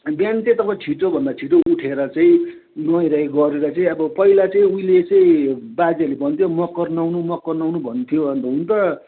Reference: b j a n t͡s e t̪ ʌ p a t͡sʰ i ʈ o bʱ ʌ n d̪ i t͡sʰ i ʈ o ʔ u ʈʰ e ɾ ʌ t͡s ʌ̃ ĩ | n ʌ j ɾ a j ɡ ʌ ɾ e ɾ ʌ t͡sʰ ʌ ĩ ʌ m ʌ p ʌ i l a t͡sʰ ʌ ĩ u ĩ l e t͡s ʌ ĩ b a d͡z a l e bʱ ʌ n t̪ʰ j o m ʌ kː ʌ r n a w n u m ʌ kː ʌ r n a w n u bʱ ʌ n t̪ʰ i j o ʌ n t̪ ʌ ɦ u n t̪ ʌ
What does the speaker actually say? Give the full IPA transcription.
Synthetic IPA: b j a n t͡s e t̪ ʌ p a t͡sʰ i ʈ o bʱ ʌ n d̪ a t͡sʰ i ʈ o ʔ u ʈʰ e ɾ ʌ t͡s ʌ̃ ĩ | n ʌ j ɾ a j ɡ ʌ ɾ e ɾ ʌ t͡s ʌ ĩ ʌ b ʌ p ʌ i l a t͡s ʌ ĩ u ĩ l e t͡s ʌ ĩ b a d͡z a l e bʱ ʌ n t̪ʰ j o m ʌ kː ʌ r n a w n u m ʌ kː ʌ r n a w n u bʱ ʌ n t̪ʰ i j o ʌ n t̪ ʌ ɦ u n t̪ ʌ

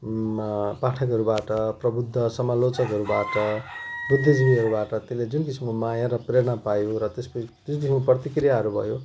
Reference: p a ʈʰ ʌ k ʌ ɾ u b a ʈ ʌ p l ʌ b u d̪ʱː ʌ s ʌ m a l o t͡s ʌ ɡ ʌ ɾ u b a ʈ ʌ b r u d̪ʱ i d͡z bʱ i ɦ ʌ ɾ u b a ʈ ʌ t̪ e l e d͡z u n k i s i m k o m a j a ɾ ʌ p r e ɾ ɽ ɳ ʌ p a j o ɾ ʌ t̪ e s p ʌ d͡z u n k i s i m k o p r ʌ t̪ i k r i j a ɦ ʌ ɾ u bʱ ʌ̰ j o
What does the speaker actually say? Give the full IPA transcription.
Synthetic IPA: p a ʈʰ ʌ k ʌ ɾ u b a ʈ ʌ p r ʌ b u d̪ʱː ʌ s ʌ m a l o t͡s ʌ k ʌ ɾ u b a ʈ ʌ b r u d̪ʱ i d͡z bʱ i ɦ ʌ ɾ u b a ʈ ʌ t̪ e l e d͡z u n k i s i m k o m a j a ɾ ʌ p r e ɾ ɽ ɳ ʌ p a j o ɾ ʌ t̪ e s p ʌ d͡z u n k i s i m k o p r ʌ t̪ i k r i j a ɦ ʌ ɾ u bʱ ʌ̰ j o

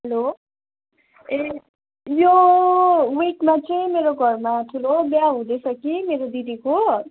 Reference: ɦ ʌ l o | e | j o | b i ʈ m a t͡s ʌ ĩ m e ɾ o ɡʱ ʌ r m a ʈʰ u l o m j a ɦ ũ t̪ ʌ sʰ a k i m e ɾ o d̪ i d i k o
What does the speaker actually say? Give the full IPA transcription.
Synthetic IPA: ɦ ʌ l o | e | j o | w i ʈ m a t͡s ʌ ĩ m e ɾ o ɡʱ ʌ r m a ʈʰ u l o b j a ɦ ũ d̪ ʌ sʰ ʌ k i m e ɾ o d̪ i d i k o

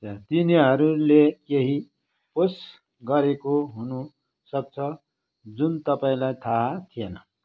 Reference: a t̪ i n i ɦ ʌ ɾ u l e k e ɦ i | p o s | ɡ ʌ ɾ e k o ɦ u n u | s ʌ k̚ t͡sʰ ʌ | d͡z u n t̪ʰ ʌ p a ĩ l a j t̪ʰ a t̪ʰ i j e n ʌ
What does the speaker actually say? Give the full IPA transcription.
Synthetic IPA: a t̪ i n i ɦ ʌ ɾ u l e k e ɦ i | p o s | ɡ ʌ ɾ e k o ɦ u n u | s ʌ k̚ t͡sʰ ʌ | d͡z u n t̪ ʌ p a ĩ l a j t̪ʰ a t̪ʰ i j e n ʌ

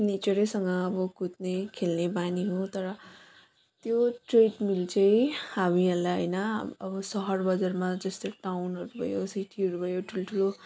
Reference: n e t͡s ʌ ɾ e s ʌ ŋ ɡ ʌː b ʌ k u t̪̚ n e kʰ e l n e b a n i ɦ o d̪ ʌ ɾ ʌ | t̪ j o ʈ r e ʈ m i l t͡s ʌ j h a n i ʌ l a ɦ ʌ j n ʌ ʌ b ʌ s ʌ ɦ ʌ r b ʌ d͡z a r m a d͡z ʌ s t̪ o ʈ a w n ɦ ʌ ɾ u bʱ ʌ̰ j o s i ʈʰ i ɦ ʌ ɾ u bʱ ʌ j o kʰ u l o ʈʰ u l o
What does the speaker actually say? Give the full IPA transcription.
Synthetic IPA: n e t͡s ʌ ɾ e s ʌ ŋ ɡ ʌː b ʌ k u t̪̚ n e kʰ e l n e b a n i ɦ o t̪ ʌ ɾ ʌ | t̪ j o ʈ r e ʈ m i l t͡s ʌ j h a m i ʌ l a ɦ ʌ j n ʌ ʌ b ʌ s ʌ ɦ ʌ r b ʌ d͡z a r m a d͡z ʌ s t̪ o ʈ a w n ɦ ʌ ɾ u bʱ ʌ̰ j o s i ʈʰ i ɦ ʌ ɾ u bʱ ʌ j o ʈʰ u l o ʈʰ u l o

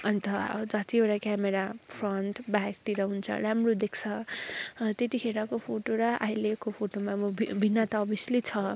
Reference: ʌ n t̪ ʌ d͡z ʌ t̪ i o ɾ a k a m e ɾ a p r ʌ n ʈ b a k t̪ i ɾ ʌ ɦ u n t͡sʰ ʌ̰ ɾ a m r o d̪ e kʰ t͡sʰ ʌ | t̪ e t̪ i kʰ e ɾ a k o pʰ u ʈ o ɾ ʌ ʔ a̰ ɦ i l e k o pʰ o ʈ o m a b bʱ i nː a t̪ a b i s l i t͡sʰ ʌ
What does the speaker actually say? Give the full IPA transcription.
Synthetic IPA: ʌ n t̪ ʌ d͡z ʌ t̪ i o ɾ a k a m e ɾ a pʰ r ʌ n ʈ b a k t̪ i ɾ ʌ ɦ u n t͡sʰ ʌ̰ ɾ a m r o d̪ e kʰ t͡sʰ ʌ | t̪ e t̪ i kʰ e ɾ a k o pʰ o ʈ o ɾ ʌ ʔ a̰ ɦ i l e k o pʰ o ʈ o m a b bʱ i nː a t̪ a b i s l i t͡sʰ ʌ

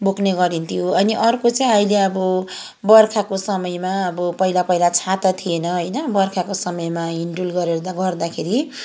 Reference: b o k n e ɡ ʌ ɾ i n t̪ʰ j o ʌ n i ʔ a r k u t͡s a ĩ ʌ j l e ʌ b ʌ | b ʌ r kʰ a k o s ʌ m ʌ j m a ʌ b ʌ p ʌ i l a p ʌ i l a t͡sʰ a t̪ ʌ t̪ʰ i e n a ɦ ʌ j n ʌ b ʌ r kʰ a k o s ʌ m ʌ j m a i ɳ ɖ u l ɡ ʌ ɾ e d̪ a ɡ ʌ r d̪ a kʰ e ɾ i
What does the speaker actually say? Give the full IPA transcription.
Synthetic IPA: b o k n e ɡ ʌ ɾ i n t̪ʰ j o ʌ n i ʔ ʌ r k o t͡s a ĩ ʌ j l e ʌ b ʌ | b ʌ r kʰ a k o s ʌ m ʌ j m a ʌ b ʌ p ʌ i l a p ʌ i l a t͡sʰ a t̪ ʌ t̪ʰ i e n ʌ ɦ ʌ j n ʌ b ʌ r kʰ a k o s ʌ m ʌ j m a i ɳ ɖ u l ɡ ʌ ɾ e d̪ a ɡ ʌ r d̪ a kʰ e ɾ i

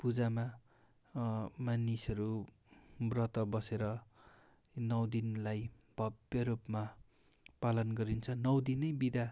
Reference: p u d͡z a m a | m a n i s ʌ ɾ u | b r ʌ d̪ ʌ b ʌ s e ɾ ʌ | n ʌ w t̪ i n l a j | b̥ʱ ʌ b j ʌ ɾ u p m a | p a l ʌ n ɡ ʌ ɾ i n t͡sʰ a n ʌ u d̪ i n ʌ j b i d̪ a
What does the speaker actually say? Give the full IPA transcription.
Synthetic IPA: p u d͡z a m a | m a n i s ʌ ɾ u | b r ʌ t̪ ʌ b ʌ s e ɾ ʌ | n ʌ w d̪ i n l a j | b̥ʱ ʌ b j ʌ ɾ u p m a | p a l ʌ n ɡ ʌ ɾ i n t͡sʰ ʌ n ʌ w d̪ i n ʌ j b i d̪ a

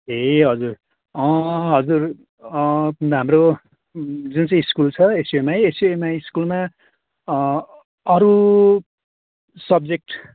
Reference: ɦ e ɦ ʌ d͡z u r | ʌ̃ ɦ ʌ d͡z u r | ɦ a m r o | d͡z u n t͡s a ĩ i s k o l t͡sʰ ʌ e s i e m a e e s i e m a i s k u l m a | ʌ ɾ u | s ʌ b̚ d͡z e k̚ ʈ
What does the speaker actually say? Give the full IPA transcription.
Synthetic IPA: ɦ e ɦ ʌ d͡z u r | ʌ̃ ɦ ʌ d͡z u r | ɦ a m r o | d͡z u n t͡s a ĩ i s k u l t͡sʰ ʌ e s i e m a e e s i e m a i s k u l m a | ʌ ɾ u | s ʌ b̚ d͡z e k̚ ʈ

